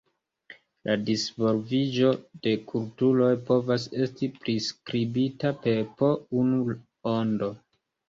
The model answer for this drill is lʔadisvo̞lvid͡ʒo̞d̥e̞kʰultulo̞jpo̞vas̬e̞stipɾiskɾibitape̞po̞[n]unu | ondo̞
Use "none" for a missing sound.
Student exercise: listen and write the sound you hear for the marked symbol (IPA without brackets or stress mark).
none